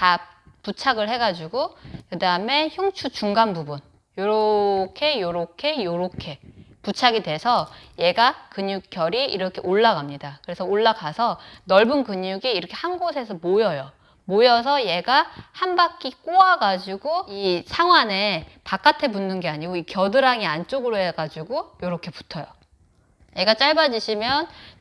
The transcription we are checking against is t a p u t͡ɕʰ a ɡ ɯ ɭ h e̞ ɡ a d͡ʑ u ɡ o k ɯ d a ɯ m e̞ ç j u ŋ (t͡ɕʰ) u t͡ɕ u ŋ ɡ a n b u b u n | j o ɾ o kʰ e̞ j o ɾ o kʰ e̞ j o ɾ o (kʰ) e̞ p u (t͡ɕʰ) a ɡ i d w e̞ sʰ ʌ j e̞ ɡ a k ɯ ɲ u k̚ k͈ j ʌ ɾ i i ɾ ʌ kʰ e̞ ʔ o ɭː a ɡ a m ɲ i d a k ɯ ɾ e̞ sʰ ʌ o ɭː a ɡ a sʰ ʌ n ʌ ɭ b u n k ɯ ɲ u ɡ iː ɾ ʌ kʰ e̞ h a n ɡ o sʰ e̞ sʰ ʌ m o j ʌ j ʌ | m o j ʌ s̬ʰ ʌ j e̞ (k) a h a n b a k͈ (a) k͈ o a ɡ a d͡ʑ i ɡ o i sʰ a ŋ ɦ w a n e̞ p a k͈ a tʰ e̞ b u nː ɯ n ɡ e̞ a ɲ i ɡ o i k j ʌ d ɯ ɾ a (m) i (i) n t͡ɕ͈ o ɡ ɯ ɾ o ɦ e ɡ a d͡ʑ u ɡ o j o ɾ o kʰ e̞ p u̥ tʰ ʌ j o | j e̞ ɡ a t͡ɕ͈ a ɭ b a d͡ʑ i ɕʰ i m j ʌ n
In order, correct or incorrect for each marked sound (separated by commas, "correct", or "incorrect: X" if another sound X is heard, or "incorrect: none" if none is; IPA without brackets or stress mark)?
correct, correct, correct, incorrect: ɡ, incorrect: i, incorrect: ŋ, incorrect: a